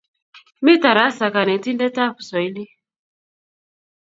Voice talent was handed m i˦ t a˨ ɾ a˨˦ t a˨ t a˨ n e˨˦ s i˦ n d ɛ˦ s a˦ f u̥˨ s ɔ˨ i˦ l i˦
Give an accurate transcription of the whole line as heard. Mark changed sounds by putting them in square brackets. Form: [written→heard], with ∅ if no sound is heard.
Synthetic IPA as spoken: m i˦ t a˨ ɾ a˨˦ [t→s] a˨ [t→k] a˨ n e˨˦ [s→t] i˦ n d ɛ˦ [s→t] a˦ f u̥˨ s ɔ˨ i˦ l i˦